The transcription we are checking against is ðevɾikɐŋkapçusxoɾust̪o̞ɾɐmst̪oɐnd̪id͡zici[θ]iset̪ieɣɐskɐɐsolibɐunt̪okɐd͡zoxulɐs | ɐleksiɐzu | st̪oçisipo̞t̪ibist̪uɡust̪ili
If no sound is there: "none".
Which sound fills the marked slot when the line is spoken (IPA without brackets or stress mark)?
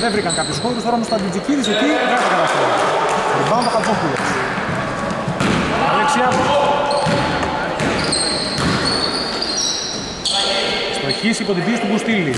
ð